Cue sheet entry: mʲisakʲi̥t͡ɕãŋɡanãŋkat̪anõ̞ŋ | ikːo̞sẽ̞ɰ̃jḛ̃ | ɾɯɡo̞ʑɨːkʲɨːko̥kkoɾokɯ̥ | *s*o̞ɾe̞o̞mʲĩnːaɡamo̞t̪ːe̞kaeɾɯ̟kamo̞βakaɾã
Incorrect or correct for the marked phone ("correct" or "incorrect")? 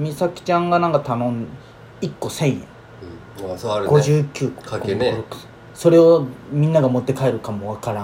correct